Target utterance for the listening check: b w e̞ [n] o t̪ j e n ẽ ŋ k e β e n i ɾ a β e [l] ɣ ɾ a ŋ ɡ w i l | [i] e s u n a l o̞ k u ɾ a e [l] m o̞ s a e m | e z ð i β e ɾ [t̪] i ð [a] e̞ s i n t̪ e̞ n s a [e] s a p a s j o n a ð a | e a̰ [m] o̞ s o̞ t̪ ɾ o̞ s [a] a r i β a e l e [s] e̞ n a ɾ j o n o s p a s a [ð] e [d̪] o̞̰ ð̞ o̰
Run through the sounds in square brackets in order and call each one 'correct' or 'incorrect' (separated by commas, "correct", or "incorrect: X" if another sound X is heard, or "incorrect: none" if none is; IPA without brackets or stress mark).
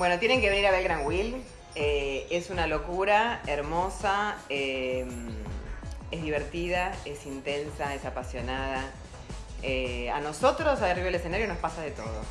correct, correct, incorrect: e, incorrect: ɾ, correct, correct, correct, incorrect: n, correct, correct, correct, incorrect: t̪